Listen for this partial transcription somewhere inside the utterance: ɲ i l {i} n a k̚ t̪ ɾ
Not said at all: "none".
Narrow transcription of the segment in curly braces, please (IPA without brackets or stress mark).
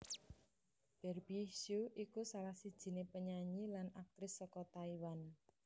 a